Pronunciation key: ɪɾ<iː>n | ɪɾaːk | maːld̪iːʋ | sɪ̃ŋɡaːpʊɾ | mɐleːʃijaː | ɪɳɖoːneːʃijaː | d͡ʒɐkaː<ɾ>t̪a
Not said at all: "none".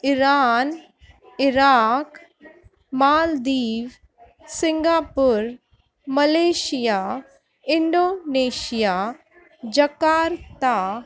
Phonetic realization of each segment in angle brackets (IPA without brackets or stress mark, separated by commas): aː, ɾ